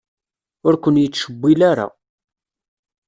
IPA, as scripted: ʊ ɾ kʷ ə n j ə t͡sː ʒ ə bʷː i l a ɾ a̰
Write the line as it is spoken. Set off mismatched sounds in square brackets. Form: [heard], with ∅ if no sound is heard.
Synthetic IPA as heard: ʊ ɾ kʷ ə n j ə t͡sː [ʃ] ə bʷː i l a ɾ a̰

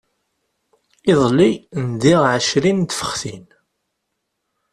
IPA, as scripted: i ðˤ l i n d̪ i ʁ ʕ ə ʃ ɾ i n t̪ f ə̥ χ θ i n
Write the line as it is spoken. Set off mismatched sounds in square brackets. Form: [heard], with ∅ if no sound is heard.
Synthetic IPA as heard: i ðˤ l i n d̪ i ʁ ʕ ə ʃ ɾ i n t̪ f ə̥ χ θ i n

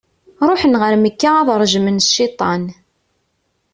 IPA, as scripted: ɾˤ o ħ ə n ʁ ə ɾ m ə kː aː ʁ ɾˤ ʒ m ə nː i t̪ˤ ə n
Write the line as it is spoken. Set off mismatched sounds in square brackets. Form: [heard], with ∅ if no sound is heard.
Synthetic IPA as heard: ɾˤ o ħ ə n ʁ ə ɾ m ə kː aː [ð] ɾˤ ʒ m ə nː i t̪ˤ [ɑ] n

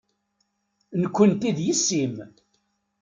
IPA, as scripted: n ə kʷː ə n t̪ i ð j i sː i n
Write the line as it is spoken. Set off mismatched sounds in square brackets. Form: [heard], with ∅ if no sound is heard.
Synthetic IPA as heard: n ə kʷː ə n t̪ i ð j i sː i [m]

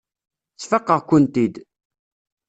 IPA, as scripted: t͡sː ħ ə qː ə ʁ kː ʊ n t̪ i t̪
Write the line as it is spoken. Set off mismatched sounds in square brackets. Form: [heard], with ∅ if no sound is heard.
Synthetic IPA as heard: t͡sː [f] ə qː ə ʁ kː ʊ n t̪ i [d̪]

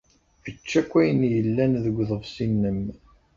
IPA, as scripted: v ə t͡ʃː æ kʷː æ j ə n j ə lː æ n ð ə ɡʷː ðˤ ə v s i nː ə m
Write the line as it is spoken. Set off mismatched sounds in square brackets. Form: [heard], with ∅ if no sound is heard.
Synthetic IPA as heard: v ə t͡ʃː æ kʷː æ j ə n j ə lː æ n ð ə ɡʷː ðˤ ə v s i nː ə m

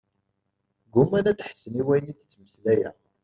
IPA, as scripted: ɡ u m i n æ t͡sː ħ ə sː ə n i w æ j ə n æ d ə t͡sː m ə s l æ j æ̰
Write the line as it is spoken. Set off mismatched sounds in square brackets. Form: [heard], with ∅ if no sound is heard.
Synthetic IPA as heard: ɡ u m [æ] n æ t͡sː ħ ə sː ə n i w æ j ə n [i] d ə t͡sː m ə s l æ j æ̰

